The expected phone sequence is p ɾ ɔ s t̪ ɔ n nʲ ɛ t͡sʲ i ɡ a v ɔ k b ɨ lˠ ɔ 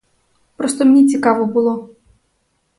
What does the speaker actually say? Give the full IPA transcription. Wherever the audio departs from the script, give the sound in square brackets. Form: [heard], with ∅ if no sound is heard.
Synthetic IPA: p ɾ ɔ s t̪ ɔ [m] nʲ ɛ t͡sʲ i [k] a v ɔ [∅] b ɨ lˠ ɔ